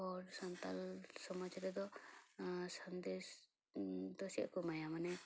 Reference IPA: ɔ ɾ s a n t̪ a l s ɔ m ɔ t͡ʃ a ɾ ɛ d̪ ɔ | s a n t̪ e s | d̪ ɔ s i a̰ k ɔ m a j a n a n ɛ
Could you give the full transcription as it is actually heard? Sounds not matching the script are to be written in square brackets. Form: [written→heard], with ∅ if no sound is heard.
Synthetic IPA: ɔ ɾ s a n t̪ a l s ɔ m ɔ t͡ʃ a ɾ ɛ d̪ ɔ | s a n [t̪→d̪] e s | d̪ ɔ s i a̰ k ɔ m a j a [n→m] a n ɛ